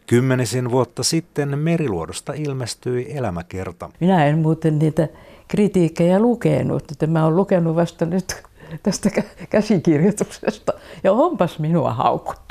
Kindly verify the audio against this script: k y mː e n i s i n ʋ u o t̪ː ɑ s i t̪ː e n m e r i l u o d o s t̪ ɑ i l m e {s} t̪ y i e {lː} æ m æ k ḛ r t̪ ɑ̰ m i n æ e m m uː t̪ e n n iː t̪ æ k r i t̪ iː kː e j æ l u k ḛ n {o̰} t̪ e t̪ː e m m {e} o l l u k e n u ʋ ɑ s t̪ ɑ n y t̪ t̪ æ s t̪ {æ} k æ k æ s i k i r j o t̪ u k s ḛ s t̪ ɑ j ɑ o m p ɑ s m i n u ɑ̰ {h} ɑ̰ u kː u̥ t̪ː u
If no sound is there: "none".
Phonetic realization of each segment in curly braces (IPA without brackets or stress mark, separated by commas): s, l, ṵ, æ, æ, h